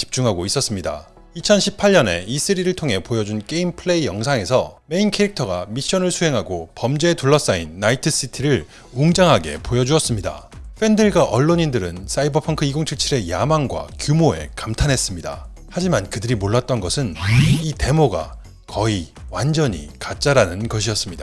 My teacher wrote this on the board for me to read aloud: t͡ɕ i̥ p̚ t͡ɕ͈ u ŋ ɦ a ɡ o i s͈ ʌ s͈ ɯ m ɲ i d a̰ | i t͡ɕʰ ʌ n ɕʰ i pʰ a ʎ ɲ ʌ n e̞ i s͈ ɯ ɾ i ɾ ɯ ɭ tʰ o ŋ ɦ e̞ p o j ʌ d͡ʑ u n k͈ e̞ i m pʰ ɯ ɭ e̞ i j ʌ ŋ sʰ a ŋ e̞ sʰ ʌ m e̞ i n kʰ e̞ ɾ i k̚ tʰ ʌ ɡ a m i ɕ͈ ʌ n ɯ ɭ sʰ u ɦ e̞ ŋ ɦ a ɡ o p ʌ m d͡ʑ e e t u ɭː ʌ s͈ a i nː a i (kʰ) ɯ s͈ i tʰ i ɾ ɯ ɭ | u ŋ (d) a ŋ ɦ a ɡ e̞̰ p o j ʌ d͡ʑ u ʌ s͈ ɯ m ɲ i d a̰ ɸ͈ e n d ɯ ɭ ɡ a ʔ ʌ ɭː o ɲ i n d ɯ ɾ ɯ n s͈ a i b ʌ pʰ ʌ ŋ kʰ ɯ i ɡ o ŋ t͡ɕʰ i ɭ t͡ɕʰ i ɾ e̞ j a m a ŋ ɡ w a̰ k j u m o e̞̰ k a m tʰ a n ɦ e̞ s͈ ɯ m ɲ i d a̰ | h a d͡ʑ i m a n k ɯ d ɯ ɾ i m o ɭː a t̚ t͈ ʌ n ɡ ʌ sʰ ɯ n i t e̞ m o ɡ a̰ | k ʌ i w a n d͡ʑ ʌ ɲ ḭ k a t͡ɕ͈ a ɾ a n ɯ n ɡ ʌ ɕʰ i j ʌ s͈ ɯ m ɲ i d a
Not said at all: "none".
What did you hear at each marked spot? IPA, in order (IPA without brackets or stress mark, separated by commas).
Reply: tʰ, d͡ʑ